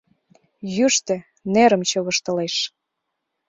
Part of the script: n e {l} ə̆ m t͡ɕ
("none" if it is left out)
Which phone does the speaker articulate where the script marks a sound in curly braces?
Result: ɾ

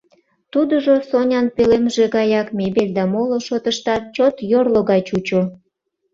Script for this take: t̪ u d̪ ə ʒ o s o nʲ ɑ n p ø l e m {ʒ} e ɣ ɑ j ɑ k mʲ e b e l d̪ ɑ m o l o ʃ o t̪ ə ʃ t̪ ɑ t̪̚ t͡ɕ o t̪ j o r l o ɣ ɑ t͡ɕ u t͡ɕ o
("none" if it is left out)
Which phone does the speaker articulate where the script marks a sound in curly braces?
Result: ʒ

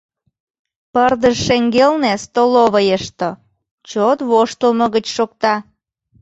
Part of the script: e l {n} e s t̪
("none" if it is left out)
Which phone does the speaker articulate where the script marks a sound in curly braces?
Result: n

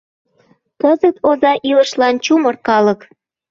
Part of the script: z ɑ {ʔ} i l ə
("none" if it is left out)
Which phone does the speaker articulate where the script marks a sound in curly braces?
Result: ʔ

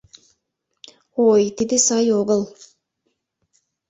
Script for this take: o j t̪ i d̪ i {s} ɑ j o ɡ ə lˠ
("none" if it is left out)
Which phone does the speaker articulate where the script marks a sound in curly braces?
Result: s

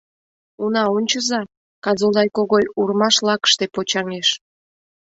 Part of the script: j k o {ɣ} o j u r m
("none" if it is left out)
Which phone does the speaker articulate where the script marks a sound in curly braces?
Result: ɣ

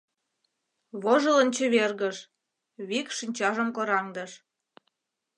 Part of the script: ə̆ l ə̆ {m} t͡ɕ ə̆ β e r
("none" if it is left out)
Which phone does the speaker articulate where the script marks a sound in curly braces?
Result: n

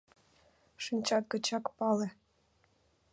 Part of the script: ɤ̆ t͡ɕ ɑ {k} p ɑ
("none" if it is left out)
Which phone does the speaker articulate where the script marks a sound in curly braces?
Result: k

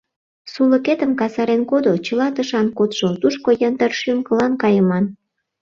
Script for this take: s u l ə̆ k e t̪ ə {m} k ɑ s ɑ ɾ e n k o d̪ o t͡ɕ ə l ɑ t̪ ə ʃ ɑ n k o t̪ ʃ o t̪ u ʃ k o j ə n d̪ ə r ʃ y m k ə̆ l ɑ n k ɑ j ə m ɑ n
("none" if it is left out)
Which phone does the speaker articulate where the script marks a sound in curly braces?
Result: m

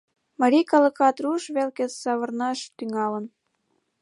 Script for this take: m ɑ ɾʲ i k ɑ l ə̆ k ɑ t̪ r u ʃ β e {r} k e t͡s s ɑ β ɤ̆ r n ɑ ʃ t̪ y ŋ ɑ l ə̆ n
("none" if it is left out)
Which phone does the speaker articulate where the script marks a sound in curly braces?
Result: l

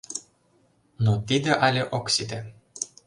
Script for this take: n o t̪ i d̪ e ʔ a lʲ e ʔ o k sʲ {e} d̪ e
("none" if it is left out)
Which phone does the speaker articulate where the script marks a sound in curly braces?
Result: i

